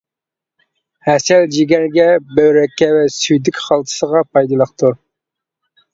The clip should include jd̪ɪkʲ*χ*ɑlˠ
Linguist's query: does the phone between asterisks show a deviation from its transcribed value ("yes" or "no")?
no